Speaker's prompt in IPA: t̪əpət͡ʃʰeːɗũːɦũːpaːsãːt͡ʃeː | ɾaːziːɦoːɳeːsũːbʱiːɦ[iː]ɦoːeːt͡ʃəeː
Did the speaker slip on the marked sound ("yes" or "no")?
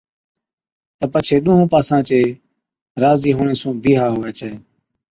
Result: yes